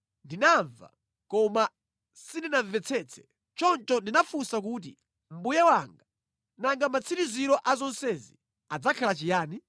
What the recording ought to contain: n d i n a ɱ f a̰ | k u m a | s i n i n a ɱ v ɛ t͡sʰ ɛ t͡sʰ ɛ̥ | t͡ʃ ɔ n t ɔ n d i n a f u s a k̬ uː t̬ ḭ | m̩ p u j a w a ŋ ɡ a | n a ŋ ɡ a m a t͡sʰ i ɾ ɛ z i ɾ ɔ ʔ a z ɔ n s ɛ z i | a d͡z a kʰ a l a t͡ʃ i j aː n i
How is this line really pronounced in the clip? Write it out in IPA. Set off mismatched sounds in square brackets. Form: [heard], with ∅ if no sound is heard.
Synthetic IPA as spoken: n d i n a ɱ [v] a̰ | k [ɔ] m a | s i n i n a ɱ v ɛ t͡sʰ ɛ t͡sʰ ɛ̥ | t͡ʃ ɔ n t ɔ n d i n a f u s a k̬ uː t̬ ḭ | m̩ [b] u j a w a ŋ ɡ a | n a ŋ ɡ a m a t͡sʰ i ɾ [i] z i ɾ ɔ ʔ a z ɔ n s ɛ z i | a d͡z a kʰ a l a t͡ʃ i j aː n i